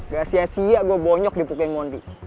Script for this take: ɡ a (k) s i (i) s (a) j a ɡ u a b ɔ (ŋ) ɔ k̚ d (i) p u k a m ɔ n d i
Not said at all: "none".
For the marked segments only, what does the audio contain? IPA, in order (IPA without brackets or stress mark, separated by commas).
none, a, i, ɲ, i